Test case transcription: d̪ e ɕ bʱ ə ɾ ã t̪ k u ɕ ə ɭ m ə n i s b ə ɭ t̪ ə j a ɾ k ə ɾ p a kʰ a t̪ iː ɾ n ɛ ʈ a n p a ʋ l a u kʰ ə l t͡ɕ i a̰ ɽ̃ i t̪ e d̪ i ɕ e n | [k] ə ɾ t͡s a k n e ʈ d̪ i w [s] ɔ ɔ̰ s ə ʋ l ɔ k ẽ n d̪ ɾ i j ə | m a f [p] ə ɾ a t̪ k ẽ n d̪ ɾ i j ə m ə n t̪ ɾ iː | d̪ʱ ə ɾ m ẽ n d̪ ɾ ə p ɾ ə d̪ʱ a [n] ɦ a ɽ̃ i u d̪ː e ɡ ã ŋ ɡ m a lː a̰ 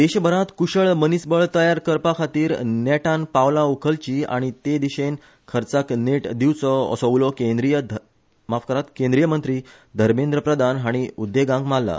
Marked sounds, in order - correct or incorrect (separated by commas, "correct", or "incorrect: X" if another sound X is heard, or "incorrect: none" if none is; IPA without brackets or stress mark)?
incorrect: kʰ, incorrect: t͡s, incorrect: k, correct